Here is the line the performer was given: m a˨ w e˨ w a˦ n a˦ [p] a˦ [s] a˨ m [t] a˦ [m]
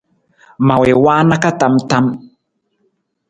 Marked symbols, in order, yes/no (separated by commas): no, no, yes, yes